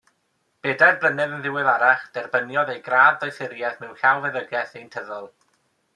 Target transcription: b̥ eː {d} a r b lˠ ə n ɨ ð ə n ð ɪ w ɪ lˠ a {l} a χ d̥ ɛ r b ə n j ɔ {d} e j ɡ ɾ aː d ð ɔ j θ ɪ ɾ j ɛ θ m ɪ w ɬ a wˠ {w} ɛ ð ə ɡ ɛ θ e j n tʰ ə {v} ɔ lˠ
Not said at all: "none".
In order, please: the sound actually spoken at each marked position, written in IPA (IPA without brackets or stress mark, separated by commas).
d, ɾ, d, v, ð